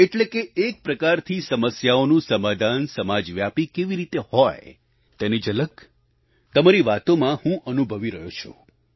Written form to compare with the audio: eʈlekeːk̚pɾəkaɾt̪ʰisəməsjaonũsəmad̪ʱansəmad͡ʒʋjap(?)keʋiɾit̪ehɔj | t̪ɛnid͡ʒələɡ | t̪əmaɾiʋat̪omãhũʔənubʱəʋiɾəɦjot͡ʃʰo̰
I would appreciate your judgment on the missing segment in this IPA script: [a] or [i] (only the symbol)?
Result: i